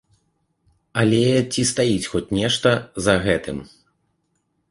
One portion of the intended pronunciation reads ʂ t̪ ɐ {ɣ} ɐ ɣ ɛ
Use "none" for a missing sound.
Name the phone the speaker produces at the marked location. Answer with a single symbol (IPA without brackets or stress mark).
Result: z